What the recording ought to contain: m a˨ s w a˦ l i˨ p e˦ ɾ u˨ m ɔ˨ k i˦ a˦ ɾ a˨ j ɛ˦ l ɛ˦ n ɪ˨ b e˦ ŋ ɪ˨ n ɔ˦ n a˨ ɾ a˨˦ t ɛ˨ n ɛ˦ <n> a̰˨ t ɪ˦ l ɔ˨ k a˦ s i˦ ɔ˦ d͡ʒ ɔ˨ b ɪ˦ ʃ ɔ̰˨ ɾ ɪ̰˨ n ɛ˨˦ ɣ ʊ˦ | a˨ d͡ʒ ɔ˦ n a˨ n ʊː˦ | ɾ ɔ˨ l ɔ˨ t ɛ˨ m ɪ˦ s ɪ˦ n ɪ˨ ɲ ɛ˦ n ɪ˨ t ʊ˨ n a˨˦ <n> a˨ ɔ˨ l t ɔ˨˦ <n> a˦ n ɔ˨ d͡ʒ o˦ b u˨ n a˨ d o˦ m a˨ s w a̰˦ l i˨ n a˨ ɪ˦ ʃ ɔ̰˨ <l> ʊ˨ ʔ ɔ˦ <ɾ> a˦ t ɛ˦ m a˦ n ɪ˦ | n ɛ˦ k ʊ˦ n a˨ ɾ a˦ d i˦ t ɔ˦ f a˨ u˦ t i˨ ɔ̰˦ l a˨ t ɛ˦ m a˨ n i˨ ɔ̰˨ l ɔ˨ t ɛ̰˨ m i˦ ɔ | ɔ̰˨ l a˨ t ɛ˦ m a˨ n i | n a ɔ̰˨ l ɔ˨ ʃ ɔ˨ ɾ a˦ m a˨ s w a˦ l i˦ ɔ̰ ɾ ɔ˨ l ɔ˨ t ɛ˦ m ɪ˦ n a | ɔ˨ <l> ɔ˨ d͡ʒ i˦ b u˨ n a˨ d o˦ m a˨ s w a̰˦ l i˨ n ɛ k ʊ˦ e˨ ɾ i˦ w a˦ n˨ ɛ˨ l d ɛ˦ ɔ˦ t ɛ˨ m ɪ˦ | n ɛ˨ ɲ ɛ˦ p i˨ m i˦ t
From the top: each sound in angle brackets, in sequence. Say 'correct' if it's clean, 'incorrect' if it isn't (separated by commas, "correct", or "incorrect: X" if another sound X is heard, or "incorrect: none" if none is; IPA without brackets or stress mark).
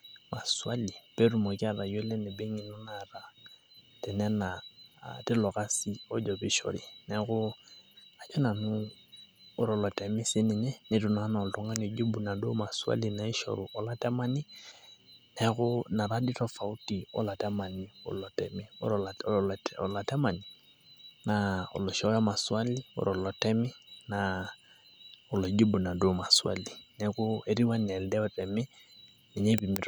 correct, correct, incorrect: ŋ, incorrect: ɾ, incorrect: l, correct